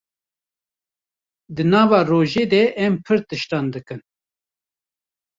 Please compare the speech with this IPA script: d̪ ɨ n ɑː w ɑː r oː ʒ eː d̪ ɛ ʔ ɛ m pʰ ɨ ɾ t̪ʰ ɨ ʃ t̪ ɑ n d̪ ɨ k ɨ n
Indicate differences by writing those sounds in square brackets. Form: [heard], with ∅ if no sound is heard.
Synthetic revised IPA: d̪ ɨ n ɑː [v] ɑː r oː ʒ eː d̪ ɛ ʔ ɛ m pʰ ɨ ɾ [t̪] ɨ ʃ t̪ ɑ n d̪ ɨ k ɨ n